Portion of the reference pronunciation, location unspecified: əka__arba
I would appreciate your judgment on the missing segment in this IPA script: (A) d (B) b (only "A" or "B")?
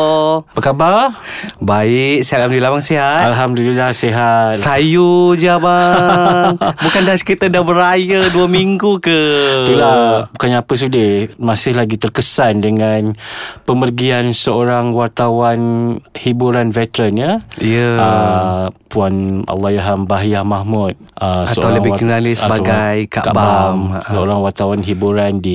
B